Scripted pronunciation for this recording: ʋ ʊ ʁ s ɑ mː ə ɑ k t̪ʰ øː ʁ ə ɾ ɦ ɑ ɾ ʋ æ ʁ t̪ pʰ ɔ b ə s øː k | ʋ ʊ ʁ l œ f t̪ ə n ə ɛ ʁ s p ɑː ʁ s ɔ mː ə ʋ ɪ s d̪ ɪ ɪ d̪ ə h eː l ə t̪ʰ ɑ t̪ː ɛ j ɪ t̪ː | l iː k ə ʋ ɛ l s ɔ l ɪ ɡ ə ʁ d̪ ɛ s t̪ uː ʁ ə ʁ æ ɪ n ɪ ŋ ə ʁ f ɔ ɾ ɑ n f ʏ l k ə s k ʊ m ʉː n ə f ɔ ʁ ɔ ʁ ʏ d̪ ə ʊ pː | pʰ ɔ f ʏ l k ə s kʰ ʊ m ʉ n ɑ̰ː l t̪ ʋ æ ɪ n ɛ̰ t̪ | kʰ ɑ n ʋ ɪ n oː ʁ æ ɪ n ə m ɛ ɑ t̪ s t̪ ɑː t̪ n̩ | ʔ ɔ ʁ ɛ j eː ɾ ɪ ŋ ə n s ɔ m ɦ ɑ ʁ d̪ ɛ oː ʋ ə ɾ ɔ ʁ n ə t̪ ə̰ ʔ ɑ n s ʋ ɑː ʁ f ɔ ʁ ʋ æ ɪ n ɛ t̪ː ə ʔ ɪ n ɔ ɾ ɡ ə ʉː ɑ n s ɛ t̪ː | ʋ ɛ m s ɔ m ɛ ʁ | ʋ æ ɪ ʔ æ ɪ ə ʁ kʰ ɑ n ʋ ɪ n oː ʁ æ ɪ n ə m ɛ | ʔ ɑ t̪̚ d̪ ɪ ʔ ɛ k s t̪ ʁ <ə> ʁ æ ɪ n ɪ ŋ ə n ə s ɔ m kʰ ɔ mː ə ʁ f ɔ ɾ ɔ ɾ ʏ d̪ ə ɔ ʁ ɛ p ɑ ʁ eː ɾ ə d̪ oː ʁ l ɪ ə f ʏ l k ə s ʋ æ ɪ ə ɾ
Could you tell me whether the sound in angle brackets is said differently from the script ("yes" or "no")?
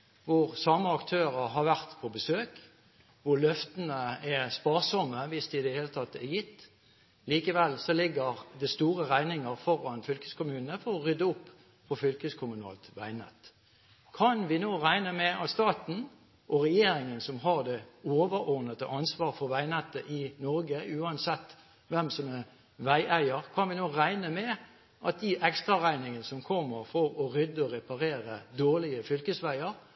yes